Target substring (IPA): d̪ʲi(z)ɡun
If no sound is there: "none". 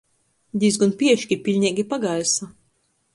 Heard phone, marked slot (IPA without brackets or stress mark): z